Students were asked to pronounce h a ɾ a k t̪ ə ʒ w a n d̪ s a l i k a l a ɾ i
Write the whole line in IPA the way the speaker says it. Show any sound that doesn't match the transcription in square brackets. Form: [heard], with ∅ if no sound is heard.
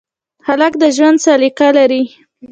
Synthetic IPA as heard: h a [l] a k [d̪] ə ʒ w a n d̪ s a l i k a l a ɾ i